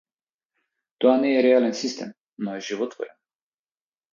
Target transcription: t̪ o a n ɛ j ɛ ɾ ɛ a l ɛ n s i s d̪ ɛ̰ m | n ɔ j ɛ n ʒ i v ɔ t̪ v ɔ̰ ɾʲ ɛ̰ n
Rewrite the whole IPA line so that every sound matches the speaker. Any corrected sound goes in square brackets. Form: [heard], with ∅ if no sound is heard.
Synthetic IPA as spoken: t̪ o a n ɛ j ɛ ɾ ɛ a l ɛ n s i s [t̪] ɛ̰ m | n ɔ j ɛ [∅] ʒ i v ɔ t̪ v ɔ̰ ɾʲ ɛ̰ n